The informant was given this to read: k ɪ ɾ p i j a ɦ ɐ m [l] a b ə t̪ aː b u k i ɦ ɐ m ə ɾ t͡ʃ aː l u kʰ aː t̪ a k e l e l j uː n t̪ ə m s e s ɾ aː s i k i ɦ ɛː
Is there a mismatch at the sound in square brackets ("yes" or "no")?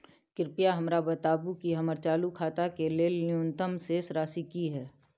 yes